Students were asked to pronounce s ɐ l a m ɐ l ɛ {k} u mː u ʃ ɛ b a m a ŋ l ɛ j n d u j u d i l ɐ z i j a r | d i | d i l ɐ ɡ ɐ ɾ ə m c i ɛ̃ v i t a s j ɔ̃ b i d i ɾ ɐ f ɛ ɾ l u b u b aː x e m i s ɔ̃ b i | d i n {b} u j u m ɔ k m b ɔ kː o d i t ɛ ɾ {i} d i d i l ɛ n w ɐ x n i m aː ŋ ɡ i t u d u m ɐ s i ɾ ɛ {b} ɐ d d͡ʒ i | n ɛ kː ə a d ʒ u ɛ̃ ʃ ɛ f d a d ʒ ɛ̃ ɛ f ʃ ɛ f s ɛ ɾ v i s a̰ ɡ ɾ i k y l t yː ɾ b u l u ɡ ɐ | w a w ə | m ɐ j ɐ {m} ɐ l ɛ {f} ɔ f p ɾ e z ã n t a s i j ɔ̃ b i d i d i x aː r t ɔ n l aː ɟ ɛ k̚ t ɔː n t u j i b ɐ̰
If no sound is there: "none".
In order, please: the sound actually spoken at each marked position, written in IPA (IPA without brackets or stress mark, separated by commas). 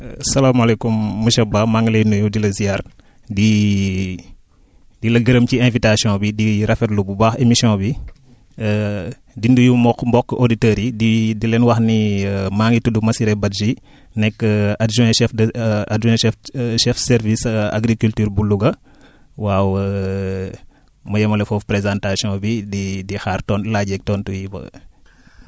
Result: k, d, i, b, m, f